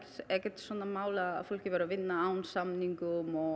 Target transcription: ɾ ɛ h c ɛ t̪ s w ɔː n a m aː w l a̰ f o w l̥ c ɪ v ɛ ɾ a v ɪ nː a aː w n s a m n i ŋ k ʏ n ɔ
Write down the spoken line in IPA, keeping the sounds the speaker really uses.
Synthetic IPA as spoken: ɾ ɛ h c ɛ t̪ s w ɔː n a m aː w l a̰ f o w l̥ c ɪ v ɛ ɾ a v ɪ nː a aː w n s a m n i ŋ k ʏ m ɔ